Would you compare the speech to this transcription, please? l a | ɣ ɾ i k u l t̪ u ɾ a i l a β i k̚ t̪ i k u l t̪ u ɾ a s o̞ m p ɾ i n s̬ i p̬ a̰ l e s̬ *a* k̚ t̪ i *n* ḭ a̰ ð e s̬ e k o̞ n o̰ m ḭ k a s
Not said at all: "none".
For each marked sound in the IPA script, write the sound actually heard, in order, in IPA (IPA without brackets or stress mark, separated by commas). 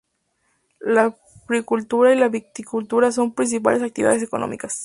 a, none